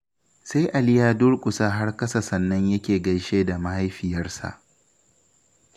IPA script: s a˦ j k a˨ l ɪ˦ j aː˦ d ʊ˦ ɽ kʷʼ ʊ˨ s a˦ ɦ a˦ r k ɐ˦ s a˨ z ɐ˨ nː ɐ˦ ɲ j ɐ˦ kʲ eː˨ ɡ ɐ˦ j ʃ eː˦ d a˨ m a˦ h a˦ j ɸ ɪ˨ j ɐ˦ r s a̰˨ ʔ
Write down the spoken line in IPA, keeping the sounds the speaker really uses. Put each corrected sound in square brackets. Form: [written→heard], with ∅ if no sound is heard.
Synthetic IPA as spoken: s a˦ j [k→ʔ] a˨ l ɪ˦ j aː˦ d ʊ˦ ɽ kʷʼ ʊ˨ s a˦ ɦ a˦ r k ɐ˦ s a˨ [z→s] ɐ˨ nː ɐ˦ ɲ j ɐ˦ kʲ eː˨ ɡ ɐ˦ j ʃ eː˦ d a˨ m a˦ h a˦ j ɸ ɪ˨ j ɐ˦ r s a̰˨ ʔ